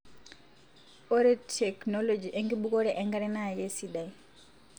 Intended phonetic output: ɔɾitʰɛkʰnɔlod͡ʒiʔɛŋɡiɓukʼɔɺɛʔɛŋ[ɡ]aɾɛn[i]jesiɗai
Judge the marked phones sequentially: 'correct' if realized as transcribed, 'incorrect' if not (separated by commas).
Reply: correct, incorrect